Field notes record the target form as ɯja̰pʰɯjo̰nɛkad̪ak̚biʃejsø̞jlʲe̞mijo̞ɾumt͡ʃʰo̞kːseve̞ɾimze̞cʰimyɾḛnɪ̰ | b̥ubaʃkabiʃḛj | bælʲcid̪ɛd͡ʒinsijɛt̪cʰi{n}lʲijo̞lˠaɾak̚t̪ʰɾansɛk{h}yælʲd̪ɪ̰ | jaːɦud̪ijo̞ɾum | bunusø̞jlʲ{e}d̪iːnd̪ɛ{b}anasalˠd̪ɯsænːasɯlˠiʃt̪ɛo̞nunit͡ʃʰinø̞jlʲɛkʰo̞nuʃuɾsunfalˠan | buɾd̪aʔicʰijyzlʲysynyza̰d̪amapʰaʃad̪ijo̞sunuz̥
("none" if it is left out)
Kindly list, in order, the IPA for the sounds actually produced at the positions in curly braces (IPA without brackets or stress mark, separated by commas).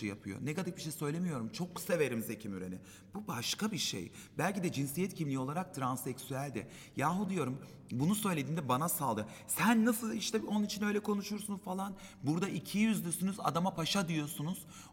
m, s, e, b